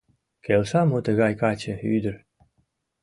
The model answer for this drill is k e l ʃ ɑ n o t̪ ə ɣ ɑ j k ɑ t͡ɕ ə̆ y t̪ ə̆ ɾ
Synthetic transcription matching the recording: k e l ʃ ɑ m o t̪ ə ɣ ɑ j k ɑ t͡ɕ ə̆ y d̪ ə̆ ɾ